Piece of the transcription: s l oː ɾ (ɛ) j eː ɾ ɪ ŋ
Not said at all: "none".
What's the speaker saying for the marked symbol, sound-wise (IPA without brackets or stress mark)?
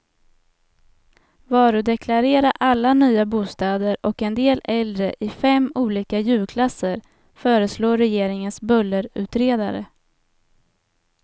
ɛ